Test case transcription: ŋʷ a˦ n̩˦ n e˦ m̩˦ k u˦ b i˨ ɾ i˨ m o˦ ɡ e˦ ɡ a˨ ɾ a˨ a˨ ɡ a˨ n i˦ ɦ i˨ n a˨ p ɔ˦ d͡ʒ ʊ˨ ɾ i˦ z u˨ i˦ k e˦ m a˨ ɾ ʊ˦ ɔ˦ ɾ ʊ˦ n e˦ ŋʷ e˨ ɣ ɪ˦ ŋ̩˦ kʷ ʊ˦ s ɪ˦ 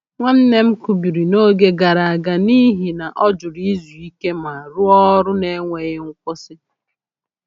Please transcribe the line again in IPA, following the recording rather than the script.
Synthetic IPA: ŋʷ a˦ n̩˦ n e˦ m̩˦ k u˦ b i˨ ɾ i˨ n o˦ ɡ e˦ ɡ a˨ ɾ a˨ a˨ ɡ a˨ n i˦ ɦ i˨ n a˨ ʔ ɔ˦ d͡ʒ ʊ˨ ɾ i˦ z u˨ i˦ k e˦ m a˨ ɾ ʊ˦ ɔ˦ ɾ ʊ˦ n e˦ ŋʷ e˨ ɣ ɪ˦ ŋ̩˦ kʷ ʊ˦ s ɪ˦